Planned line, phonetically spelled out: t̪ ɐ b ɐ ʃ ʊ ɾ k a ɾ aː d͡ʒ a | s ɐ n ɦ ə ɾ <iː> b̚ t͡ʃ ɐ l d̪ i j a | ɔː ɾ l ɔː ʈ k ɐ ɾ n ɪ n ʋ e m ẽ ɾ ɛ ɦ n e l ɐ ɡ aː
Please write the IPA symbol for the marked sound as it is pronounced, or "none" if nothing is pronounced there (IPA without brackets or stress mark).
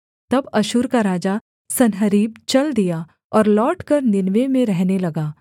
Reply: iː